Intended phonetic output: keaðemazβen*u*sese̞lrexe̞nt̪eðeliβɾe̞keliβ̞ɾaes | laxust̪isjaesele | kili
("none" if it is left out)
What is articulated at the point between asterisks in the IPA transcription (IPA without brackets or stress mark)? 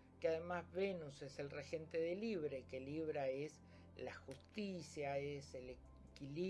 u